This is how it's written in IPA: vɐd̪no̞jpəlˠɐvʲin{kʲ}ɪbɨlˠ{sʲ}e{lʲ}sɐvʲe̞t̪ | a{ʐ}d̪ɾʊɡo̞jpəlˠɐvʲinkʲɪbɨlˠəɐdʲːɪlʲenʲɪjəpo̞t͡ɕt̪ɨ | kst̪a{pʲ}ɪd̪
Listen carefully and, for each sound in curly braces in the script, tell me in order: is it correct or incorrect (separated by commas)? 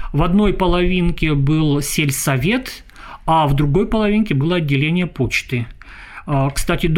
correct, correct, correct, incorrect, incorrect